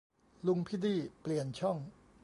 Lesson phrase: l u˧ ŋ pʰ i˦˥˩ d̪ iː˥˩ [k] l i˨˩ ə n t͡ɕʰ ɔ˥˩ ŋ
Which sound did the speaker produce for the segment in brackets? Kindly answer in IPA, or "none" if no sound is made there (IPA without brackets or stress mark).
p